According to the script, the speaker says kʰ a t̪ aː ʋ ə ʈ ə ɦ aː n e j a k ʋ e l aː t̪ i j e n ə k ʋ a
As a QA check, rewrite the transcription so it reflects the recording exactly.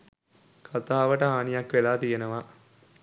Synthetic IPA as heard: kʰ a t̪ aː ʋ ə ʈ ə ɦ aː n i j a k ʋ e l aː t̪ i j e n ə ʋ a